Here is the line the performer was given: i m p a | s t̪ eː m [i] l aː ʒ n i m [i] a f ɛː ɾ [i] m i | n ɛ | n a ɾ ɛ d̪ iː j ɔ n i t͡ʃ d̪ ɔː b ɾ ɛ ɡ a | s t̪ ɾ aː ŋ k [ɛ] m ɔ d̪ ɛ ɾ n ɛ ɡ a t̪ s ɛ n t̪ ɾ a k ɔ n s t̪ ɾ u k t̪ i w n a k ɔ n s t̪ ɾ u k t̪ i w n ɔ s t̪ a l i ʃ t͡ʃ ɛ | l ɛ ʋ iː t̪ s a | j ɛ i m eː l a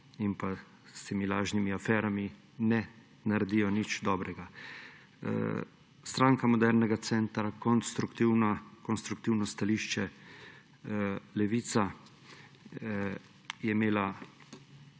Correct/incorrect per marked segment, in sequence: correct, correct, incorrect: a, incorrect: a

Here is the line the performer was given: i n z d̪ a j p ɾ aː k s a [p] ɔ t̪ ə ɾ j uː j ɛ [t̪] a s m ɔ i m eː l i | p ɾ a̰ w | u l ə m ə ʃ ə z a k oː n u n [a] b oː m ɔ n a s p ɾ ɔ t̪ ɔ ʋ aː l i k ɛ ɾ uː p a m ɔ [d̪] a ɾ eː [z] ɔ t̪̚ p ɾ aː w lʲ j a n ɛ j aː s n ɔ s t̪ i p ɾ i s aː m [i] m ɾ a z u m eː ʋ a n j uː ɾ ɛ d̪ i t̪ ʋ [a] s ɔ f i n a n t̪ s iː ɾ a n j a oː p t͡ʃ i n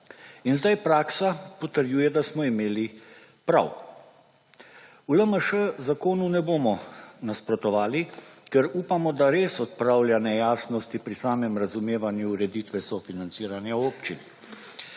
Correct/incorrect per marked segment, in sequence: correct, incorrect: d̪, incorrect: ɛ, correct, incorrect: s, incorrect: ɛ, incorrect: ɛ

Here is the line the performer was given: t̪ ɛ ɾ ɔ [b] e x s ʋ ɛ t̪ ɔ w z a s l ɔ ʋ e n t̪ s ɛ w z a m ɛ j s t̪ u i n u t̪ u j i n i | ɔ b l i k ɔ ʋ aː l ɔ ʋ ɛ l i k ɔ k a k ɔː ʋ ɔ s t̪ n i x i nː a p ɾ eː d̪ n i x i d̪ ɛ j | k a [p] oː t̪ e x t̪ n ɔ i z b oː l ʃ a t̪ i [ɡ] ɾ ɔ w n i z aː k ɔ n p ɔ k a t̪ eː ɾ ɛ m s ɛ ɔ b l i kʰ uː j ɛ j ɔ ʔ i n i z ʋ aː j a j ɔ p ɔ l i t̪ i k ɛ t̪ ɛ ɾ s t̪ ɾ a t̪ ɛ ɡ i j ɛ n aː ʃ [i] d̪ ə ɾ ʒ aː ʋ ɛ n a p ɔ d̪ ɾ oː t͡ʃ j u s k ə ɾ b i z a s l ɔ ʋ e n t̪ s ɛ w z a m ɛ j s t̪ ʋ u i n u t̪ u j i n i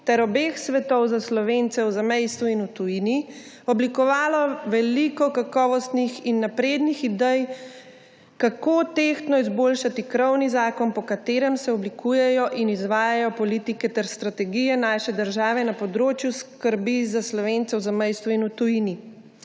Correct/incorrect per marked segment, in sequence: correct, incorrect: k, incorrect: k, incorrect: ɛ

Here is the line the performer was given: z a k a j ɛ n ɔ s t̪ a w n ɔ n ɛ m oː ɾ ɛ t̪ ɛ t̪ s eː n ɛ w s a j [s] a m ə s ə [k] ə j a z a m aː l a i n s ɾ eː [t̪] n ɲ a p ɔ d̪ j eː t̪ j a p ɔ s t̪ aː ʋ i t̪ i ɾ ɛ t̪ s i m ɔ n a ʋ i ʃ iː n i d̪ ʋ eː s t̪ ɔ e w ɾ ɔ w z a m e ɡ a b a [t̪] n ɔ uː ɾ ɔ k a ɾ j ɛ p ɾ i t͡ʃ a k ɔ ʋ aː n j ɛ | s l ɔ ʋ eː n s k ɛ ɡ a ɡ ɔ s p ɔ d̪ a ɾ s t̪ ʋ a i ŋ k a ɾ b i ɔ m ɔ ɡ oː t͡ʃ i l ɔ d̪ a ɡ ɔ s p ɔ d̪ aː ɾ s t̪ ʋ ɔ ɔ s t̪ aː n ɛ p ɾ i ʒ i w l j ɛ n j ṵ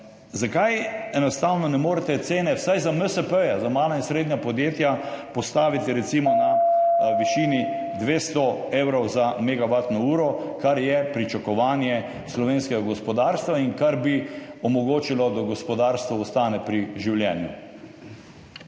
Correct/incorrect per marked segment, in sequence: incorrect: z, incorrect: p, incorrect: d̪, correct

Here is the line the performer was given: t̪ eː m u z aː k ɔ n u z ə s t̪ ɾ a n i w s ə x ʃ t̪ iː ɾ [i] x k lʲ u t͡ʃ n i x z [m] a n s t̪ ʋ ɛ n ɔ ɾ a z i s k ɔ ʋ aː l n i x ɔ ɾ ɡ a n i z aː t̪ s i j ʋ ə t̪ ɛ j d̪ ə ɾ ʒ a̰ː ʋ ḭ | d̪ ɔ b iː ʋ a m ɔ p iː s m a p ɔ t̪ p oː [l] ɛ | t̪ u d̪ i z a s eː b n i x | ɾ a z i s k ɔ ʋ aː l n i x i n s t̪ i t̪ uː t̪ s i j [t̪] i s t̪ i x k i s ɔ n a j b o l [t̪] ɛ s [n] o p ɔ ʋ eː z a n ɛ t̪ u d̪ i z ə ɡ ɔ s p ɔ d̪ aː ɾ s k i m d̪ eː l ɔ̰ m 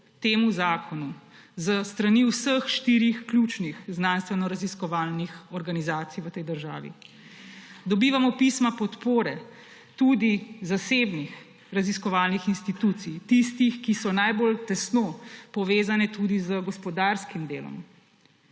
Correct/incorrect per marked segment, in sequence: correct, incorrect: n, incorrect: ɾ, correct, correct, correct

